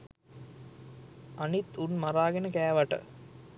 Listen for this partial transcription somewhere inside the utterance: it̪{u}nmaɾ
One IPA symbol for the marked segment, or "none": u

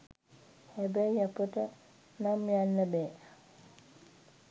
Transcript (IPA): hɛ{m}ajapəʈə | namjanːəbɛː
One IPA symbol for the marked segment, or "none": b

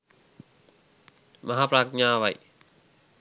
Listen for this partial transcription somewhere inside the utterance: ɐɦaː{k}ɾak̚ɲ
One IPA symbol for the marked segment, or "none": p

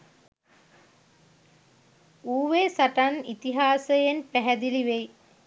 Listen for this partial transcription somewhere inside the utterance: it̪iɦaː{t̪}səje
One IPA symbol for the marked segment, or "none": none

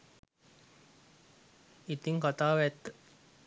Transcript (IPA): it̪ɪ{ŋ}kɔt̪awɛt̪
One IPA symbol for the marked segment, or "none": ŋ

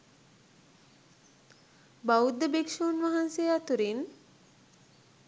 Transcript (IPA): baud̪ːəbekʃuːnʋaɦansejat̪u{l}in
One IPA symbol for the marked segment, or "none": ɾ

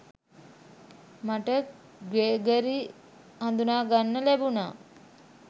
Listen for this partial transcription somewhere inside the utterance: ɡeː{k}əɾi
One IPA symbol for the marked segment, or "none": ɡ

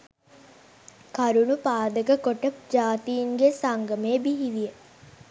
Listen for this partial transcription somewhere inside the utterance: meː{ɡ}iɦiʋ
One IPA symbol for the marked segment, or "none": b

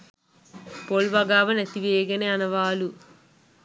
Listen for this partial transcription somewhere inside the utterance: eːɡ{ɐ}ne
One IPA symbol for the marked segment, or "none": ɐ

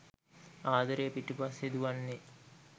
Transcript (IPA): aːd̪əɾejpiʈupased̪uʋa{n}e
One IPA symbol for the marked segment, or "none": nː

